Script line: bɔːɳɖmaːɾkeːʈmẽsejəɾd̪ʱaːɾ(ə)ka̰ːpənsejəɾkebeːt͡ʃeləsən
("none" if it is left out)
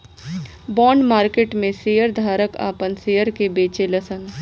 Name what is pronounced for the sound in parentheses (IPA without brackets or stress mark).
ə